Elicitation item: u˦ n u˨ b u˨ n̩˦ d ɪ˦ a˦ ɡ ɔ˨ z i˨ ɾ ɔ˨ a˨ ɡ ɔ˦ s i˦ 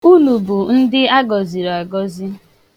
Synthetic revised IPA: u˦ n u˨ b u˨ n̩˦ d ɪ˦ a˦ ɡ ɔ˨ z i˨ ɾ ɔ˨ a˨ ɡ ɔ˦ z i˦